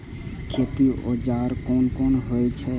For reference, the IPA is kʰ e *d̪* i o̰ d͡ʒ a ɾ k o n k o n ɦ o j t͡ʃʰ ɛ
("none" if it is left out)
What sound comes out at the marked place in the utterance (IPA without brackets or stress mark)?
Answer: t̪